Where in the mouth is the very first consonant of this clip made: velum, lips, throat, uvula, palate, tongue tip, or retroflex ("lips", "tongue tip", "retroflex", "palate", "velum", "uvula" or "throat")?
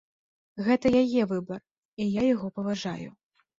velum